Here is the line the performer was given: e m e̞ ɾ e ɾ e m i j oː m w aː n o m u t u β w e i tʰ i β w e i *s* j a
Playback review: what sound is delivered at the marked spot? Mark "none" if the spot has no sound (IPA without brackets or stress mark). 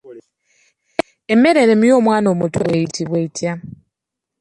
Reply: t